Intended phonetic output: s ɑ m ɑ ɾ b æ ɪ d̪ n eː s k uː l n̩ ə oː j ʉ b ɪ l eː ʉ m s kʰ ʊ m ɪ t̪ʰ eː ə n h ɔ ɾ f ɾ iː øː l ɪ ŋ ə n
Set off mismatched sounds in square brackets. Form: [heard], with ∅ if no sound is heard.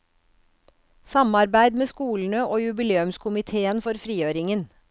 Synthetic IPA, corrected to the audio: s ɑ m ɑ ɾ b æ ɪ d̪ [m] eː s k uː l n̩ ə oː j ʉ b ɪ l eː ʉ m s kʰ ʊ m ɪ t̪ʰ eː ə n [f] ɔ ɾ f ɾ iː øː [ɾ] ɪ ŋ ə n